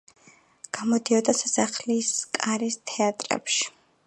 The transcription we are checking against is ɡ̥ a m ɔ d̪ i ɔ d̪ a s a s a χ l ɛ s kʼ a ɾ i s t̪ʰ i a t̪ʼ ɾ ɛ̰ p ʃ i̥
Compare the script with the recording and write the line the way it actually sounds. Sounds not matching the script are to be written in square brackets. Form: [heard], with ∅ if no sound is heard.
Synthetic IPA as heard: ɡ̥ a m ɔ d̪ i ɔ d̪ a s a s a χ l [i] s kʼ a ɾ i s t̪ʰ [ɛ] a t̪ʼ ɾ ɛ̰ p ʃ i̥